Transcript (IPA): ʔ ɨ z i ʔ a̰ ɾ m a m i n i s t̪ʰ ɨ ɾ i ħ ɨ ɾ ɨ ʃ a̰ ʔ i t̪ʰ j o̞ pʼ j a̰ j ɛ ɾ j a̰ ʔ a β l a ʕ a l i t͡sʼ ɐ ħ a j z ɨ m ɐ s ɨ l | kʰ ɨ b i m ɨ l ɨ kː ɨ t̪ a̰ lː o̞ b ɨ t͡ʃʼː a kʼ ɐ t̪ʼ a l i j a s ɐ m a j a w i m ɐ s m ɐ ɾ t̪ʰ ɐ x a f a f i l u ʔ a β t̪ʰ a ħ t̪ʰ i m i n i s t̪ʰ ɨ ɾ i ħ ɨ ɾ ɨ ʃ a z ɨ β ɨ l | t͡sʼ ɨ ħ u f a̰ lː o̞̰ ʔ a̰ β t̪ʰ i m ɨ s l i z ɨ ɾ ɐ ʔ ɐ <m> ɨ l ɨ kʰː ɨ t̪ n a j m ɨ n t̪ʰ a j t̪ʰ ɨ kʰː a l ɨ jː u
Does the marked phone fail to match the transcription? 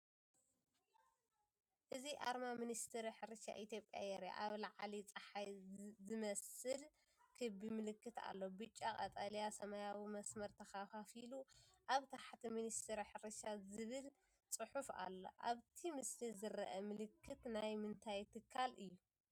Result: no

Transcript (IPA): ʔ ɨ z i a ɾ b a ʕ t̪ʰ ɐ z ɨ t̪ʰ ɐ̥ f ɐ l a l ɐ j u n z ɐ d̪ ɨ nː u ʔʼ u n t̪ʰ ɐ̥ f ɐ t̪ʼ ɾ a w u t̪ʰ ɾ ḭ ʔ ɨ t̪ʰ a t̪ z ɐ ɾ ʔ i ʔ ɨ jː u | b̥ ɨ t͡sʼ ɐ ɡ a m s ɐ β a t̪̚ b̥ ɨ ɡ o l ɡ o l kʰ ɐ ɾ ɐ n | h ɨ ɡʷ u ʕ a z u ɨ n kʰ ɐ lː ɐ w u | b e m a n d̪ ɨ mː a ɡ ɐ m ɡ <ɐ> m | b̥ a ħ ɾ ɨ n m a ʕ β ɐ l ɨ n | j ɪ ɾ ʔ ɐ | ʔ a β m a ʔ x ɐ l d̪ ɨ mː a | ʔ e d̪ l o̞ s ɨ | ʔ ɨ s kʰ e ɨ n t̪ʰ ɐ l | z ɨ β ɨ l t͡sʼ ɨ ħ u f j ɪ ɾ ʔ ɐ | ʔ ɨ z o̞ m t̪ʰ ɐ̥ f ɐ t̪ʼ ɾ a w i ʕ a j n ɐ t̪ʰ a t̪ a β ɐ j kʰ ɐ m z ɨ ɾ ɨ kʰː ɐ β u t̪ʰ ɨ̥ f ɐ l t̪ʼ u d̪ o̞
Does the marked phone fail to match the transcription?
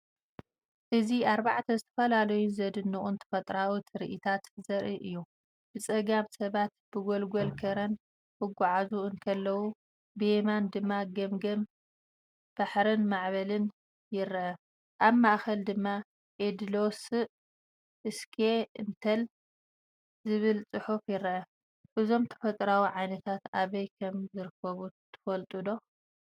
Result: no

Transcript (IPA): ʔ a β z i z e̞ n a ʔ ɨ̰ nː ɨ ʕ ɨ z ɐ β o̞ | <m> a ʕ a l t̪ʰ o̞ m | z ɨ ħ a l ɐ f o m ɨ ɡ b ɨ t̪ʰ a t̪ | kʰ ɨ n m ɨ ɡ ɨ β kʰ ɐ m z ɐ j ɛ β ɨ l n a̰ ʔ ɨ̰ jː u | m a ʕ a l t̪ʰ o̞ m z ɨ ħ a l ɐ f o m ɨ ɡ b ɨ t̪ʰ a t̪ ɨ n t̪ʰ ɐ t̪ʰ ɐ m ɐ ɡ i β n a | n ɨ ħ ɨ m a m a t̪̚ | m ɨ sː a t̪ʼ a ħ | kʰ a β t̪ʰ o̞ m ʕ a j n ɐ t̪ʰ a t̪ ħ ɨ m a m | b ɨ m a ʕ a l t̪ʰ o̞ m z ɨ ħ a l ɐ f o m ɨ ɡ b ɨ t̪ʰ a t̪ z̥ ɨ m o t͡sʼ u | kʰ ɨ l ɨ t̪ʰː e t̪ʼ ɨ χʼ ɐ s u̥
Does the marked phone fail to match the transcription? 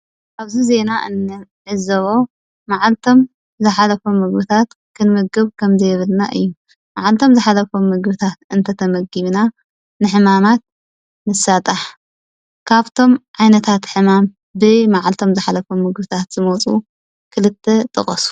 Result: no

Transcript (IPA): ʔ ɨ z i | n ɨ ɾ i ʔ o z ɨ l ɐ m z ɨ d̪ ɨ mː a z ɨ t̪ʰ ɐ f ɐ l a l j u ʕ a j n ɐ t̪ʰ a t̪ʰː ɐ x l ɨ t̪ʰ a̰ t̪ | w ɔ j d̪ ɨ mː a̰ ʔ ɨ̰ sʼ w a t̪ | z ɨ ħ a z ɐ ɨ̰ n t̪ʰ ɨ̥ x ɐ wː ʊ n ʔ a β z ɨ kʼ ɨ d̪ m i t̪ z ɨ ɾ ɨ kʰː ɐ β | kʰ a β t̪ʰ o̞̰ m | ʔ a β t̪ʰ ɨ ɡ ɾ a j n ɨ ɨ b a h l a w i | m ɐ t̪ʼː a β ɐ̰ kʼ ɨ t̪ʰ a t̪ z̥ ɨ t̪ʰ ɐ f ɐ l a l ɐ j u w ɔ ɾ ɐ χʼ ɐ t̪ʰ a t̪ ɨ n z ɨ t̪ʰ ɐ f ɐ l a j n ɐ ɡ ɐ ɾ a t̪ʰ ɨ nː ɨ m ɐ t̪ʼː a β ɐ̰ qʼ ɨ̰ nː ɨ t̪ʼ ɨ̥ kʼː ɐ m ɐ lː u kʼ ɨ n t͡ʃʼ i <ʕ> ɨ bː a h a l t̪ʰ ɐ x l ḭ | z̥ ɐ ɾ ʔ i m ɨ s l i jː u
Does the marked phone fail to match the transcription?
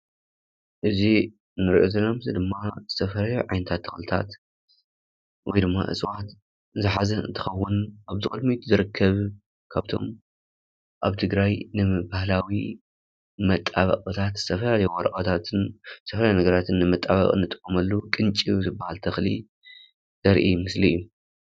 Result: yes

